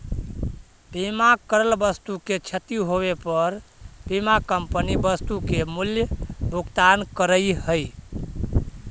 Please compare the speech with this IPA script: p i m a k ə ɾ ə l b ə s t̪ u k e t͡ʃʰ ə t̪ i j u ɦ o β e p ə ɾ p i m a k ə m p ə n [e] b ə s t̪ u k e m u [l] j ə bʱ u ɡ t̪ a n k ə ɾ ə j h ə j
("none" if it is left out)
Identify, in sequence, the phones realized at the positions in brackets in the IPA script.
i, l

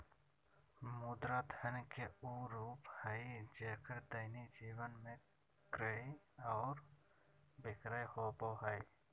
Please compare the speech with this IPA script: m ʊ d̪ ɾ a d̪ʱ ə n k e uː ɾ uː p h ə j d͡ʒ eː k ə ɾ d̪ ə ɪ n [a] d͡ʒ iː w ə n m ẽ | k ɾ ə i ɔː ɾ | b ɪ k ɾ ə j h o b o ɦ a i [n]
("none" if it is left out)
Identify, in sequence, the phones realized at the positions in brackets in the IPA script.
i, none

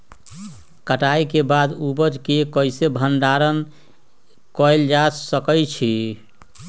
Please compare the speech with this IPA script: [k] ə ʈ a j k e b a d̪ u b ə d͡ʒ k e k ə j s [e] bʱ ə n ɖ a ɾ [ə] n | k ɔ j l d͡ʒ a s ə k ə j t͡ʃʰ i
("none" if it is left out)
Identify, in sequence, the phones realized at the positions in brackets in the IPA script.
k, e, ə

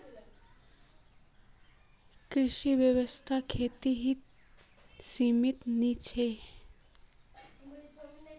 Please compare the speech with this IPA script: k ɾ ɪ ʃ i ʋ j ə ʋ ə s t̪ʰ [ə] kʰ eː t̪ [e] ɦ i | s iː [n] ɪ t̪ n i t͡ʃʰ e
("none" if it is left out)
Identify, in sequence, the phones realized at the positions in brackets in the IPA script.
a, i, m

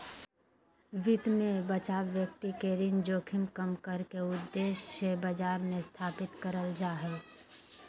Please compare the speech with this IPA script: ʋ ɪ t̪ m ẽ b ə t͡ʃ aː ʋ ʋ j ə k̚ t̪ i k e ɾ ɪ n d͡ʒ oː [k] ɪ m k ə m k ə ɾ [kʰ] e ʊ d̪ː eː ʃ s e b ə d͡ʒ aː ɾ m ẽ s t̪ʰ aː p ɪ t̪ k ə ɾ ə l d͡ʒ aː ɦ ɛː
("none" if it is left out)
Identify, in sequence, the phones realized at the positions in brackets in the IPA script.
kʰ, k

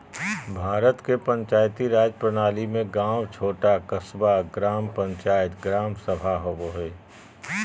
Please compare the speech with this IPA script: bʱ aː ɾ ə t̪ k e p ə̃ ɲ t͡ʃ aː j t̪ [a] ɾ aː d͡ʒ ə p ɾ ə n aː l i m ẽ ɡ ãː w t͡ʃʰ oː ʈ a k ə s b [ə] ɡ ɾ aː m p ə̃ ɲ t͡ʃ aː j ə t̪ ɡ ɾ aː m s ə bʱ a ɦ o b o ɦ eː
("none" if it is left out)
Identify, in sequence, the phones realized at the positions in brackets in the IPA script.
i, a

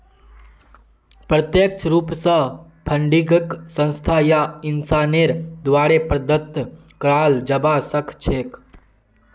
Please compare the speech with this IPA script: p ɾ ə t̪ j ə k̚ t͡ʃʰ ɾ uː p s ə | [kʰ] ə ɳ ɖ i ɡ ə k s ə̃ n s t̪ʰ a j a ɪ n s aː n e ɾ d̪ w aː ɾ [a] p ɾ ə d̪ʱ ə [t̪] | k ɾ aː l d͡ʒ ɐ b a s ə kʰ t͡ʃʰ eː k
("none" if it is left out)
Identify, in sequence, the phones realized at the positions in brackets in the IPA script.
pʰ, e, t̪

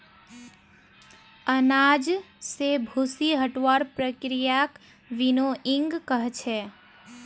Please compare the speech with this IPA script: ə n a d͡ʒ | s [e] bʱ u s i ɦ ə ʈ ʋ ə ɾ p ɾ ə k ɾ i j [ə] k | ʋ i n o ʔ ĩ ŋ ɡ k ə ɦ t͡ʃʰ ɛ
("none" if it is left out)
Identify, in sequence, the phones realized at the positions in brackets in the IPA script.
e, a

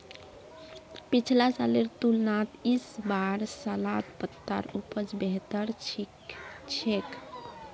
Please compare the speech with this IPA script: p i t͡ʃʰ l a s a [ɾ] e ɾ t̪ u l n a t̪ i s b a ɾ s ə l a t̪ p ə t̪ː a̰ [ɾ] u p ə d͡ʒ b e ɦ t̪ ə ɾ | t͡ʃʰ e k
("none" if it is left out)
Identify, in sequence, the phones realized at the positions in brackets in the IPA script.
l, ɾ

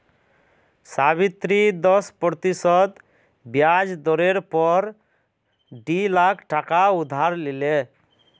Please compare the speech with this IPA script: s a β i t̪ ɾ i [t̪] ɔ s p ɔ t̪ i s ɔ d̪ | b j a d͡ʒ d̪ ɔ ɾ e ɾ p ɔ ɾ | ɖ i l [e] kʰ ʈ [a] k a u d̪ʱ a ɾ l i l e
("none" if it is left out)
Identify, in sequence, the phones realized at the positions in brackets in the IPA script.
d̪, a, a

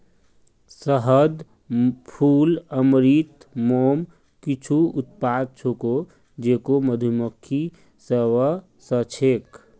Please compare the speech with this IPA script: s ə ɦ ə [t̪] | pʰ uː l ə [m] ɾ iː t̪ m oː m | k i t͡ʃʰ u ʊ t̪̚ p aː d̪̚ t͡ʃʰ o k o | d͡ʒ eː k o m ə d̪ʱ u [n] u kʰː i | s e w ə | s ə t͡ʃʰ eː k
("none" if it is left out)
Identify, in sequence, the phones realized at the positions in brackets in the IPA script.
d̪, m, m

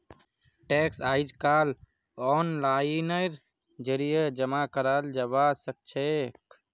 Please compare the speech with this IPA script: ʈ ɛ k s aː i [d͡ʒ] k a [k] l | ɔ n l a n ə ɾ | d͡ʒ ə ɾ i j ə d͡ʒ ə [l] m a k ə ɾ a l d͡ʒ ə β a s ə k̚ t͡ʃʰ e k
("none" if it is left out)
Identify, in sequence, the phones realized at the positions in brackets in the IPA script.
d͡ʒ, none, none

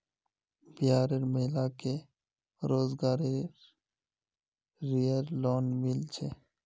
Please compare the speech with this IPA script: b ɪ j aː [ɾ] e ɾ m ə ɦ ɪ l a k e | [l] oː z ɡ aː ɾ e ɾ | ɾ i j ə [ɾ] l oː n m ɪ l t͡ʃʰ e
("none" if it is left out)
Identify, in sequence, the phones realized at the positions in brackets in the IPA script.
ɾ, ɾ, ɾ

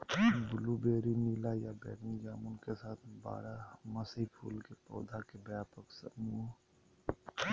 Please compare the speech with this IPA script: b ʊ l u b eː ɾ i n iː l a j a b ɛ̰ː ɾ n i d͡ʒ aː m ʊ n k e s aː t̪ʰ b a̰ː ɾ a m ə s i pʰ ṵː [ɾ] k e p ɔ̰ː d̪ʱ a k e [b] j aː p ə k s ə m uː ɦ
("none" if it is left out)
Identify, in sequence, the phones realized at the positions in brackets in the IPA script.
l, b

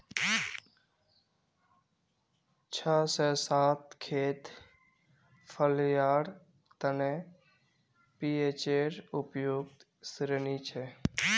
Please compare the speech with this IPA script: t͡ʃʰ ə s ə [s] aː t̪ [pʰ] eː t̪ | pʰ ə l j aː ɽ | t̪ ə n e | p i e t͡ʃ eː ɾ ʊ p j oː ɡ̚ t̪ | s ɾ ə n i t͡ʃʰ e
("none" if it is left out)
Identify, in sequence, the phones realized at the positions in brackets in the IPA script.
s, kʰ

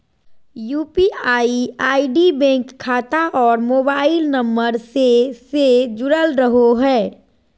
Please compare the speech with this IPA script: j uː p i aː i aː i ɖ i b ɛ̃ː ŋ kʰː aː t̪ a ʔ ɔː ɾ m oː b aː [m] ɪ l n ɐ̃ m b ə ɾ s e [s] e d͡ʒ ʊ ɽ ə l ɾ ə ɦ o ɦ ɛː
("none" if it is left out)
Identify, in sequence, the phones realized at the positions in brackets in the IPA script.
none, s

